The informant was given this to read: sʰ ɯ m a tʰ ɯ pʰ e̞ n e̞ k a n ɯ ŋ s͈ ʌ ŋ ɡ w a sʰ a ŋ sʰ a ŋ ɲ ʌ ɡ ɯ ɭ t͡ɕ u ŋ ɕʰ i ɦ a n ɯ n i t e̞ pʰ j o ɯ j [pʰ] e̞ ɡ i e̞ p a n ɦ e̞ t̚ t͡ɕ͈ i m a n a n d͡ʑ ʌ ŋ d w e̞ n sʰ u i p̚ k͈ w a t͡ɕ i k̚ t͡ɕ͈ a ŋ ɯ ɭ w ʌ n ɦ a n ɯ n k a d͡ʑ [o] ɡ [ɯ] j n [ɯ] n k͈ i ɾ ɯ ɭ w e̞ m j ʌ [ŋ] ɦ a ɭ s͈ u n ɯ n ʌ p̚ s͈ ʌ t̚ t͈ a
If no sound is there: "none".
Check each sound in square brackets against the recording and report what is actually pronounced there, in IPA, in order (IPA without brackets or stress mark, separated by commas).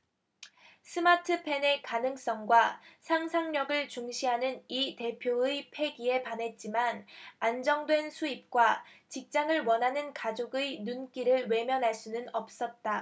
pʰ, o, ɯ, u, n